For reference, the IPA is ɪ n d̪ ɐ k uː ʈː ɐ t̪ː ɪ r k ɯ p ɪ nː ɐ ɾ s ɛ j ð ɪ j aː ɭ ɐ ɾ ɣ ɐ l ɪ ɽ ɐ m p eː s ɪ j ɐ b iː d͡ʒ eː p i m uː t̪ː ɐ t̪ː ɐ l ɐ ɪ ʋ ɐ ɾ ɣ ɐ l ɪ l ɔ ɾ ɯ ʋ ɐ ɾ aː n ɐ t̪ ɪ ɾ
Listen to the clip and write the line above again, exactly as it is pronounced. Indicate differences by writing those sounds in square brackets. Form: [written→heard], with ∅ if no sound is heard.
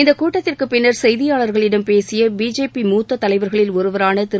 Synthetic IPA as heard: ɪ n d̪ ɐ k uː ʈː ɐ t̪ː ɪ r k ɯ p ɪ nː ɐ ɾ s ɛ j ð ɪ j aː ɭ ɐ ɾ ɣ ɐ [l→ɭ] ɪ ɽ ɐ m p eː s ɪ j ɐ b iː d͡ʒ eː p i m uː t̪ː ɐ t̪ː ɐ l ɐ ɪ ʋ ɐ ɾ ɣ ɐ [l→ɭ] ɪ l ɔ ɾ ɯ ʋ ɐ ɾ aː n ɐ t̪ ɪ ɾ